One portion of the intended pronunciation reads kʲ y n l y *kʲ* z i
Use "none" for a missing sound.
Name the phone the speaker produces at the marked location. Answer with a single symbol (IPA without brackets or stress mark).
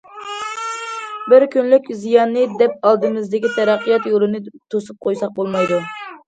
kʲ